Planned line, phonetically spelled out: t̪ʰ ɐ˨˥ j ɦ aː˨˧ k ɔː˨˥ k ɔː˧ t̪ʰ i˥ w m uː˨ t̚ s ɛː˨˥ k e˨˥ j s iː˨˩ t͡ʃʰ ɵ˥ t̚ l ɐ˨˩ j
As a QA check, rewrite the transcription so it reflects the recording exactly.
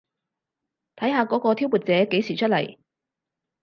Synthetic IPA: t̪ʰ ɐ˨˥ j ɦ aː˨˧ k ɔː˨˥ k ɔː˧ t̪ʰ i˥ w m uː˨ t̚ t͡s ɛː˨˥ k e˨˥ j s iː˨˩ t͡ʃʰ ɵ˥ t̚ l ɐ˨˩ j

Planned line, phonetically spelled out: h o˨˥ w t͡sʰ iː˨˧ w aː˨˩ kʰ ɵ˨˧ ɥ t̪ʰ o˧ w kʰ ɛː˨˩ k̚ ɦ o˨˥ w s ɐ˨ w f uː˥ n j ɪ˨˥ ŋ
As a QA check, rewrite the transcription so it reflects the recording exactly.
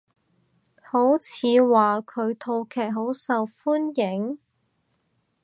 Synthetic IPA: h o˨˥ w t͡sʰ iː˨˧ w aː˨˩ kʰ ɵ˨˧ ɥ t̪ʰ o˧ w kʰ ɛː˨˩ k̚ ɦ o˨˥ w s ɐ˨ w f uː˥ n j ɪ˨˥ ŋ

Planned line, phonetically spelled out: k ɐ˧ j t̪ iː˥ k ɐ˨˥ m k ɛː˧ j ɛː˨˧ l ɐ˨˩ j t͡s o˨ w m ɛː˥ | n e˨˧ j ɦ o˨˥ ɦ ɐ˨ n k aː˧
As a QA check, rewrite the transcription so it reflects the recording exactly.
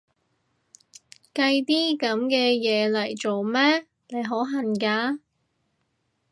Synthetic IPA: k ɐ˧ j t̪ iː˥ k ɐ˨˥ m k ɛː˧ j ɛː˨˧ l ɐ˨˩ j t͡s o˨ w m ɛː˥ | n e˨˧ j ɦ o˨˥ ɦ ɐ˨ n k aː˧

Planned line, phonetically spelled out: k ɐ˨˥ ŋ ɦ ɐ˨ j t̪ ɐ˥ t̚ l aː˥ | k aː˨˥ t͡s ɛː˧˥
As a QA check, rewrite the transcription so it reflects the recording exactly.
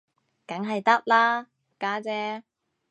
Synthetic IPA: k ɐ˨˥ ŋ ɦ ɐ˨ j t̪ ɐ˥ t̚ l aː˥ | k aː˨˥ t͡s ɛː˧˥

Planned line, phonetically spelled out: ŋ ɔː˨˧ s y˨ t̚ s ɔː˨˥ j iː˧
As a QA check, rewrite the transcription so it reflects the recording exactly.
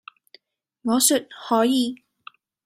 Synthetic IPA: ŋ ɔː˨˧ s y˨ t̚ h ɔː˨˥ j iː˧

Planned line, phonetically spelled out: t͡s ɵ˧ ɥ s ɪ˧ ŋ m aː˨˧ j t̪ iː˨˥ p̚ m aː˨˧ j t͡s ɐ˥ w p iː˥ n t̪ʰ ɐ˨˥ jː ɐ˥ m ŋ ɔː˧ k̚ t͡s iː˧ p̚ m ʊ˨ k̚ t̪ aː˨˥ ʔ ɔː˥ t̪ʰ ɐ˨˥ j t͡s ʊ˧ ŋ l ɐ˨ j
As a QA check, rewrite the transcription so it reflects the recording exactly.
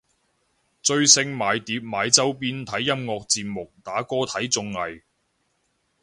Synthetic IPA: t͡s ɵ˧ ɥ s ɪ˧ ŋ m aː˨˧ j t̪ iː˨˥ p̚ m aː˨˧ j t͡s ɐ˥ w p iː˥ n t̪ʰ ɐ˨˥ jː ɐ˥ m ŋ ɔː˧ k̚ t͡s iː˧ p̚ m ʊ˨ k̚ t̪ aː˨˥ k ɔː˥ t̪ʰ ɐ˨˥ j t͡s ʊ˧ ŋ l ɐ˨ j

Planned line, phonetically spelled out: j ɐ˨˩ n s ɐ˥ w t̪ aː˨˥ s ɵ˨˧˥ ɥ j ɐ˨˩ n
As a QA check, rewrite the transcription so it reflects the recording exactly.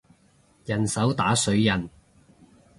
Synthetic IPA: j ɐ˨˩ n s ɐ˨˥ w t̪ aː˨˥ s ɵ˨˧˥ ɥ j ɐ˨˩ n

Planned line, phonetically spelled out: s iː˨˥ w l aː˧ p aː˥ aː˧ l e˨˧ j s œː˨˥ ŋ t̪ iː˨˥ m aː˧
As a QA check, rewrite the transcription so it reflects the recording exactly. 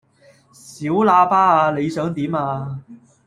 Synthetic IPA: s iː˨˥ w l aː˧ p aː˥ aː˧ l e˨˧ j s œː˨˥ ŋ t̪ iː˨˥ m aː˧

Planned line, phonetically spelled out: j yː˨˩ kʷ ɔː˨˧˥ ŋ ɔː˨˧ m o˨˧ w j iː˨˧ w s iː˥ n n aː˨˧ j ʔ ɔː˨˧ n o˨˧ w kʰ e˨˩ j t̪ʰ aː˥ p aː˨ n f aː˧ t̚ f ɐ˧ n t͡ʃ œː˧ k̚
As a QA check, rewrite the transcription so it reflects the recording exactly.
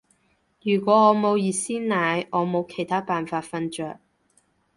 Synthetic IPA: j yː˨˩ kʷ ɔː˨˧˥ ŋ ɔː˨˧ m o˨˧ w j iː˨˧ s iː˥ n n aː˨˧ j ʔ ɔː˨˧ m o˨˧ w kʰ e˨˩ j t̪ʰ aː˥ p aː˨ n f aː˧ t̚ f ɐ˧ n t͡ʃ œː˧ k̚

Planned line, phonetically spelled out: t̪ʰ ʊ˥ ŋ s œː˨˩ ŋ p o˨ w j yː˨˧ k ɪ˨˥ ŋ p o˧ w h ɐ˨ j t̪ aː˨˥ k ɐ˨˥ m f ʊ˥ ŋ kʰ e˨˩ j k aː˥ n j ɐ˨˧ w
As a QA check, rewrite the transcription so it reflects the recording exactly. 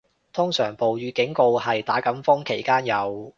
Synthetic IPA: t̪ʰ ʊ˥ ŋ s œː˨˩ ŋ p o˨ w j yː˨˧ k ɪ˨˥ ŋ k o˧ w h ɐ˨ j t̪ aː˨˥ k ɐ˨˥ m f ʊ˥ ŋ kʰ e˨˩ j k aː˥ n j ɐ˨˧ w

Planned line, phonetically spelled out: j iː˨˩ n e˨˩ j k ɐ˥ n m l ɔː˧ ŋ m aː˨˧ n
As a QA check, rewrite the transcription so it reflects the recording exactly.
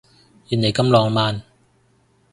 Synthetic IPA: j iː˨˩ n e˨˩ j k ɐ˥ m l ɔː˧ ŋ m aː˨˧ n

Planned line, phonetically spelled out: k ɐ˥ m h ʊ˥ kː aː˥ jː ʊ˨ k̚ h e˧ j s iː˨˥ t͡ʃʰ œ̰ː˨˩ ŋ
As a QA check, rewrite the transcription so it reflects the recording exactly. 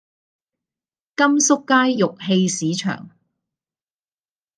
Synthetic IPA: k ɐ˥ m s ʊ˥ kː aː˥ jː ʊ˨ k̚ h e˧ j s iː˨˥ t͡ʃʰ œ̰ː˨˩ ŋ

